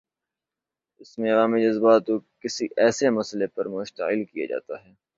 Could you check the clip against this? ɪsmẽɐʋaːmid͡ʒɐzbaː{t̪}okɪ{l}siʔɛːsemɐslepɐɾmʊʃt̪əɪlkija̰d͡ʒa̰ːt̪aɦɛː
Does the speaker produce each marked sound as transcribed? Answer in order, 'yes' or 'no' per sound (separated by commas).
yes, no